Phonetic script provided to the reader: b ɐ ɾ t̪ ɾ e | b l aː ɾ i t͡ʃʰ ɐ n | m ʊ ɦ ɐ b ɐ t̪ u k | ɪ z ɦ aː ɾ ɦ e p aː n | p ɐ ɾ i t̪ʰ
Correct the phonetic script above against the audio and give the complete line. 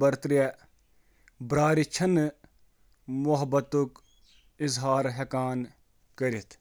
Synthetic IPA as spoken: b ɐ ɾ t̪ ɾ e | b ɾ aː ɾ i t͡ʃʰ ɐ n | m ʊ ɦ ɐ b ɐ t̪ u k | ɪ z ɦ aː ɾ ɦ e k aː n | k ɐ ɾ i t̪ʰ